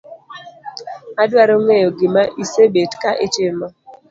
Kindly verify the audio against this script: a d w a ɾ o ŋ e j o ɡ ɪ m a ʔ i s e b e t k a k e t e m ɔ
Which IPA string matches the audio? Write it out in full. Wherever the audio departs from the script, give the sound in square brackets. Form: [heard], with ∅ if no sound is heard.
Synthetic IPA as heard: a d w a ɾ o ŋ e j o ɡ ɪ m a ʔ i s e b e t k a [ʔ] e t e m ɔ